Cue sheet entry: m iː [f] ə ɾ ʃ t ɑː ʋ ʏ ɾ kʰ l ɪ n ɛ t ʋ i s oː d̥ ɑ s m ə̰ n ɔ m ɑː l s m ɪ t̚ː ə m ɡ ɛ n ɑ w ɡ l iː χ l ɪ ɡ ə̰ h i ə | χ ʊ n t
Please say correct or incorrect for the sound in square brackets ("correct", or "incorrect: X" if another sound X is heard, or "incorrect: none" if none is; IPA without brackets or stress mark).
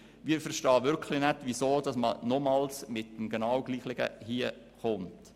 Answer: correct